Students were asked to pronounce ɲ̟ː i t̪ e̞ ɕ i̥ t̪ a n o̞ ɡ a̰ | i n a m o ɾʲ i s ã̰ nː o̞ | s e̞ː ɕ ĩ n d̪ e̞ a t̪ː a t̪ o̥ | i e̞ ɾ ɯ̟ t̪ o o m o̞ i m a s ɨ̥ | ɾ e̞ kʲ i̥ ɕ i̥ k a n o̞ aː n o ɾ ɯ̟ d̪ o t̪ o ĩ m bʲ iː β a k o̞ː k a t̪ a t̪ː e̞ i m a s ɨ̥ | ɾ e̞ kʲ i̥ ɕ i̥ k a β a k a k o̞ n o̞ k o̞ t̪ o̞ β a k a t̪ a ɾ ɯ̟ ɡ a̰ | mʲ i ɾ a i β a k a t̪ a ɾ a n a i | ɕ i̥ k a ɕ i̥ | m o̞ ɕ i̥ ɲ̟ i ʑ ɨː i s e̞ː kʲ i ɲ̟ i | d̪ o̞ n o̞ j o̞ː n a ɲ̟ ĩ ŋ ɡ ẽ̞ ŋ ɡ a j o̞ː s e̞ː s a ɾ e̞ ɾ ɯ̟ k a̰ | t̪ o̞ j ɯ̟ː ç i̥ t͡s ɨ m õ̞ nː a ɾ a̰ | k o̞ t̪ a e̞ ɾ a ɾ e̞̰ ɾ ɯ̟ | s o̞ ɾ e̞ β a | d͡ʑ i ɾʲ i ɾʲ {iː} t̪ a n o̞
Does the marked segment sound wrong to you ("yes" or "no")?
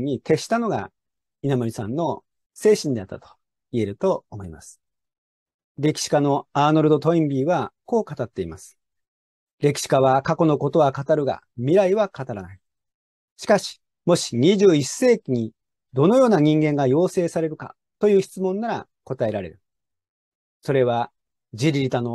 yes